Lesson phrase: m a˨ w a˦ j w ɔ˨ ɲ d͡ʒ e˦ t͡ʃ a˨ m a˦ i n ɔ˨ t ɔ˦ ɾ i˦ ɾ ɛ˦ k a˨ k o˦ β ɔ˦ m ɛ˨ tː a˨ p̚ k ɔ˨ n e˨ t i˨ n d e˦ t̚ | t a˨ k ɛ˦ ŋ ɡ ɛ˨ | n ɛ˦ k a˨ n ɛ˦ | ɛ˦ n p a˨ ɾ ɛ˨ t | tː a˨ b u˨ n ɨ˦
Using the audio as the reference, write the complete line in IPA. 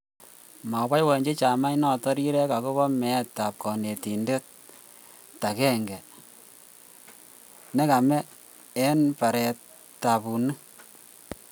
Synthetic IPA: m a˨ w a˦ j w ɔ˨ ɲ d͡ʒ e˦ t͡ʃ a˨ m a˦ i n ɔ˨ t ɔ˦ ɾ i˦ ɾ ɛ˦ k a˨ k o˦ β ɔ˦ m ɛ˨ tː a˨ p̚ k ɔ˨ n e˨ t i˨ n d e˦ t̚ | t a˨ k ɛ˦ ŋ ɡ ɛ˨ | n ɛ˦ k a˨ m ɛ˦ | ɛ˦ n p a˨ ɾ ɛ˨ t | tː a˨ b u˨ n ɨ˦